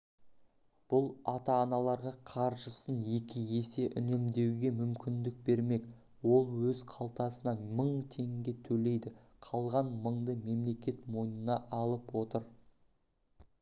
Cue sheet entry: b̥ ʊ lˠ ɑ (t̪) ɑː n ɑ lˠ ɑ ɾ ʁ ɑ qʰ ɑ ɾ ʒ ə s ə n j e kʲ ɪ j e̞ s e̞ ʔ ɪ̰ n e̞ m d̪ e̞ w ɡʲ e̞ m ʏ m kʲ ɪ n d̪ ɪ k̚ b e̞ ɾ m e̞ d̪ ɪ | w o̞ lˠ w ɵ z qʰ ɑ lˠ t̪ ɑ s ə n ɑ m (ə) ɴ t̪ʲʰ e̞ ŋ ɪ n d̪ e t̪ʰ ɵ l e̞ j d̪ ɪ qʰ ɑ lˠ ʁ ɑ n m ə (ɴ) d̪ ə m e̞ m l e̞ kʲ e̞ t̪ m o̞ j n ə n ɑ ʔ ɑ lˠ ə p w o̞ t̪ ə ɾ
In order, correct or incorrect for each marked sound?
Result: correct, correct, correct

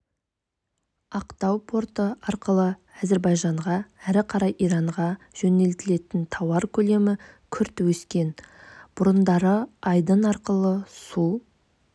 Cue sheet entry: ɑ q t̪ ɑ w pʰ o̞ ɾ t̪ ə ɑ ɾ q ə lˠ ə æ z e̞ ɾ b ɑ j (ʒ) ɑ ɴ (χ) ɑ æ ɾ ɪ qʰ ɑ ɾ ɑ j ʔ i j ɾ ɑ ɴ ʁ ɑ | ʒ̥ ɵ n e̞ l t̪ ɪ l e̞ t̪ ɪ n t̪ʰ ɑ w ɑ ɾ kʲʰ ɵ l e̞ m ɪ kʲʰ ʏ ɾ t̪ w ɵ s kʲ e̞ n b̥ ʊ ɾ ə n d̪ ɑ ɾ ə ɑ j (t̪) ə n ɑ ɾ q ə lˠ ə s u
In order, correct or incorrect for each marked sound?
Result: correct, incorrect: ʁ, incorrect: d̪

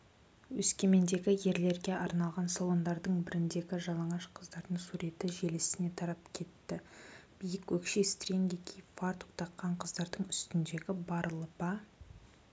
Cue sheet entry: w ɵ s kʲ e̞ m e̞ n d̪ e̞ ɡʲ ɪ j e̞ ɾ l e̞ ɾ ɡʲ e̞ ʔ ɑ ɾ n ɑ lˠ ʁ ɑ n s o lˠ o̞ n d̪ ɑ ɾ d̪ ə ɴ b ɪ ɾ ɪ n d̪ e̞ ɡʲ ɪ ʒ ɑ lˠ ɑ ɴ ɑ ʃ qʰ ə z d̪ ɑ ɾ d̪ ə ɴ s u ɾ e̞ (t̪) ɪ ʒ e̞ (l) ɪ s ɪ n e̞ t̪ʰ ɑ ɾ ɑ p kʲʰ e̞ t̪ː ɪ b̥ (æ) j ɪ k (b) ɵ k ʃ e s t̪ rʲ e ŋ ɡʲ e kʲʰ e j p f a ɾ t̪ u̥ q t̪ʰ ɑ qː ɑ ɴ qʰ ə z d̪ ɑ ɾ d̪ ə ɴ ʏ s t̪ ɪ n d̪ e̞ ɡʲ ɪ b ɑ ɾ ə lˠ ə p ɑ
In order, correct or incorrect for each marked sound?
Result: correct, correct, incorrect: i, incorrect: w

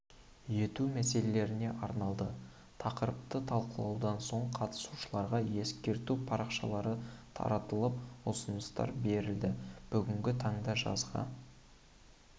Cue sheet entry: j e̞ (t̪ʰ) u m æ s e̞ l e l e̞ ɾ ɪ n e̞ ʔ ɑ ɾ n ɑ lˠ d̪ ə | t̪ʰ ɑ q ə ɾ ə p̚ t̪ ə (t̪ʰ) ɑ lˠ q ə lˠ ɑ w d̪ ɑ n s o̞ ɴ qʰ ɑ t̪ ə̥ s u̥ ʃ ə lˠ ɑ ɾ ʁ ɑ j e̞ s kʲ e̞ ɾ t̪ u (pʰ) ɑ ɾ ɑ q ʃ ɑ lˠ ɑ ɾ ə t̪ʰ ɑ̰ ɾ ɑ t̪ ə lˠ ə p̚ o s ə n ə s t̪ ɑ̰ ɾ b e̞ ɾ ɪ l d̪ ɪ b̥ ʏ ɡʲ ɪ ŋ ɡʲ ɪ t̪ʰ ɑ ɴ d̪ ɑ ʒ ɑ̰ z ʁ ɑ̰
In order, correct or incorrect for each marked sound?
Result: incorrect: t̪, correct, correct

